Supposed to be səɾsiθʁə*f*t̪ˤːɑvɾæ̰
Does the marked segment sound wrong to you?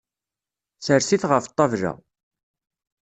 no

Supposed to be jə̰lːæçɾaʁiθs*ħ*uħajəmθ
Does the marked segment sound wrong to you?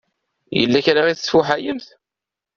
yes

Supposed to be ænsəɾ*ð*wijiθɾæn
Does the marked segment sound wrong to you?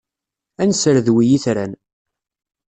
no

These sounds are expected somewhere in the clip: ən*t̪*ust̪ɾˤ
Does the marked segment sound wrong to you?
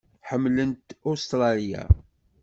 no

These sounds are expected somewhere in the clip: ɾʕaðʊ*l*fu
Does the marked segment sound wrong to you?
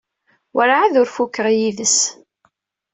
yes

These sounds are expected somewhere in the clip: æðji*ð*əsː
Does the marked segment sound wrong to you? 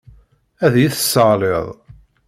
yes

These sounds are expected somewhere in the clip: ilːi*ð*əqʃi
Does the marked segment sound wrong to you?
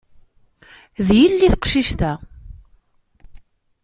yes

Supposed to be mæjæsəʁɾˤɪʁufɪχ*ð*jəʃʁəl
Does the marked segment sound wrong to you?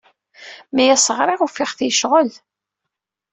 yes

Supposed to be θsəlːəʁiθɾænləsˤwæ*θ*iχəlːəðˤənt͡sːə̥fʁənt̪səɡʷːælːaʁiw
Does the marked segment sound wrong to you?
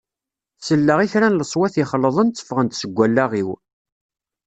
no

